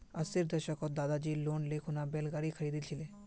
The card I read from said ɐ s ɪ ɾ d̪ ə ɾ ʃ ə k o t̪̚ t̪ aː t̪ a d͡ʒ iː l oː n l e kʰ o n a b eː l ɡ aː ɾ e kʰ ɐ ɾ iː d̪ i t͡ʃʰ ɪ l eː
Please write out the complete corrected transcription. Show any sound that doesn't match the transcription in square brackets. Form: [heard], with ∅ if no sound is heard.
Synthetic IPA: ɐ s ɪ ɾ d̪ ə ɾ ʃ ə k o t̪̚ [d̪] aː [d̪] a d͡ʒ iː l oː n l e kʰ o n a b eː l ɡ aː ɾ [i] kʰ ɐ ɾ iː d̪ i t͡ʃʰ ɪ l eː